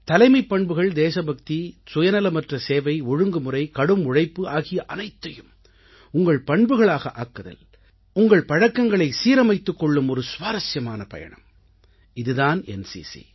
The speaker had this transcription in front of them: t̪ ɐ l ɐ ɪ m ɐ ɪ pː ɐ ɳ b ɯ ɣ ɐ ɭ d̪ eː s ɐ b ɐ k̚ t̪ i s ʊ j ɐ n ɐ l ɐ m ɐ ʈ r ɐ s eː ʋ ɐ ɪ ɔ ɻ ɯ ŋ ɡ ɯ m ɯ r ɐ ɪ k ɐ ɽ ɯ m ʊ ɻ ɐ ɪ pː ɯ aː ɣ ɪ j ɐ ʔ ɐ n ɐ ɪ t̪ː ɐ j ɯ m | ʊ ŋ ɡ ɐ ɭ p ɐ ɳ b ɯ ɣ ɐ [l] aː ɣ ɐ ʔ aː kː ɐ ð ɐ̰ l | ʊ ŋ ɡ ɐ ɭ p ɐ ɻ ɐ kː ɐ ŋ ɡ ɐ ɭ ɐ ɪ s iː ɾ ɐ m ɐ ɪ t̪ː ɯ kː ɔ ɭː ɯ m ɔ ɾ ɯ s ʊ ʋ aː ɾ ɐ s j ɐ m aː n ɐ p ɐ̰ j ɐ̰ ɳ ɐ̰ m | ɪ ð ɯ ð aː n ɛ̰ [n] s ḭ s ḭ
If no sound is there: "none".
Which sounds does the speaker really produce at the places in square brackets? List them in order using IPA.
ɭ, n

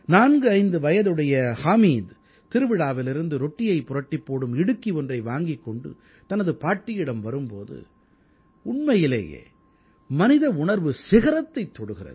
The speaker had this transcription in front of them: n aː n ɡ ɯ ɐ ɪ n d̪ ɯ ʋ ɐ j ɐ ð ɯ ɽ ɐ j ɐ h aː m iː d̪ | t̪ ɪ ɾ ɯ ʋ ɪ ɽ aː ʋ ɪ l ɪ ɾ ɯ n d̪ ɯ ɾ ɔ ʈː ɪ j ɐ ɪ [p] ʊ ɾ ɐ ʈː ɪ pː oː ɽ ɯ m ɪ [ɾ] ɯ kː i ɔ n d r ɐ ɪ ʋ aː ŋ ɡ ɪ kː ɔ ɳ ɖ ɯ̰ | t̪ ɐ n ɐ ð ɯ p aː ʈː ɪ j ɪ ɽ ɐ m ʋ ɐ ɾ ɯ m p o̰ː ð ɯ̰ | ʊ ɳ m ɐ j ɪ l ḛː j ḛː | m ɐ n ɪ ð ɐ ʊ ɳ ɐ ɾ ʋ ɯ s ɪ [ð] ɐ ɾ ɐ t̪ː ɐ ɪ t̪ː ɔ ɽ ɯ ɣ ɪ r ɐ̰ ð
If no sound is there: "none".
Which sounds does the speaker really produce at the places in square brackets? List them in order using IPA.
p, ɽ, ɣ

